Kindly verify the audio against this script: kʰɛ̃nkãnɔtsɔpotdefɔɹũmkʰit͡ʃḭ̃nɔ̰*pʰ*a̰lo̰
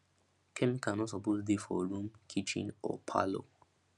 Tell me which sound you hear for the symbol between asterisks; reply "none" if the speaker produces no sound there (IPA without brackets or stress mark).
pʰ